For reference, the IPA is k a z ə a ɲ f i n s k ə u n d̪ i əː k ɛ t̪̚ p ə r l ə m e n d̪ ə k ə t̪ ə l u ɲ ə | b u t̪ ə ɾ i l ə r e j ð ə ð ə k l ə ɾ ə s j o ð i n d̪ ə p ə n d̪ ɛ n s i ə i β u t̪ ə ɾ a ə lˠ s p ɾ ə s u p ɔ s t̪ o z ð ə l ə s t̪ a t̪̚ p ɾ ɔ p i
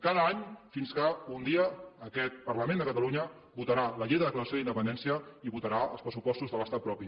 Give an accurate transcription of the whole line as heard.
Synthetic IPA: k a ð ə a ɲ f i n s k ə u n d̪ i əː k ɛ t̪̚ p ə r l ə m e n d̪ ə k ə t̪ ə l u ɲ ə | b u t̪ ə ɾ a l ə ʎ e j ð ə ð ə k l ə ɾ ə s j o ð i n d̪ ə p ə n d̪ ɛ n s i ə i β u t̪ ə ɾ a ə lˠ s p ɾ ə s u p ɔ s t̪ u z ð ə l ə s t̪ a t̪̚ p ɾ ɔ p i